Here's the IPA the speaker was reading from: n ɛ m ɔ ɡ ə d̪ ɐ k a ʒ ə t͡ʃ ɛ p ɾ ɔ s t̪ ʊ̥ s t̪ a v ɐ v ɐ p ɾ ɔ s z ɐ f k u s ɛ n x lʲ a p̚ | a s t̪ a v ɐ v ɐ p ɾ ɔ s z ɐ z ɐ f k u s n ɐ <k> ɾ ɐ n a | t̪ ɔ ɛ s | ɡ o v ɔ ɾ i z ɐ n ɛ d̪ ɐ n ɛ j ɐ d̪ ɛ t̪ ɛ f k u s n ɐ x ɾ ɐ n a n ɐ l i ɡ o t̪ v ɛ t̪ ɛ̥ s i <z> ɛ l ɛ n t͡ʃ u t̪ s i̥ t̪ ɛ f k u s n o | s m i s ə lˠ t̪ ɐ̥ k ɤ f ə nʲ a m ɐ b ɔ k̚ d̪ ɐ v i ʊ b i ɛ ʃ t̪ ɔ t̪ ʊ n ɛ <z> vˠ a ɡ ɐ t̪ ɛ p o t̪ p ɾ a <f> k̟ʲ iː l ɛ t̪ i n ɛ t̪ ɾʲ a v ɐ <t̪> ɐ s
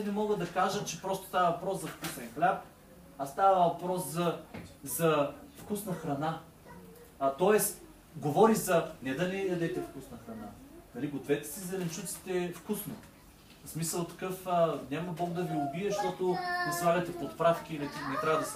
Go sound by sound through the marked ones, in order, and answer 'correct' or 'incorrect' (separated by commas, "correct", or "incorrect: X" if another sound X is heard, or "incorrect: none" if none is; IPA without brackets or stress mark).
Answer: incorrect: x, correct, incorrect: s, correct, incorrect: d̪